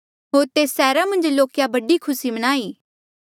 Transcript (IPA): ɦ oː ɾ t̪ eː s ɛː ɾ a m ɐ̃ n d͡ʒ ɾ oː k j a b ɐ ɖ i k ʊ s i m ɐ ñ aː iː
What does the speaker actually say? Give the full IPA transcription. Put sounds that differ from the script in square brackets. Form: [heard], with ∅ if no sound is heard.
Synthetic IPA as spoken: ɦ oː ɾ t̪ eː s ɛː ɾ a m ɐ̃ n d͡ʒ [l] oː k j a b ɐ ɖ i [kʰ] ʊ s i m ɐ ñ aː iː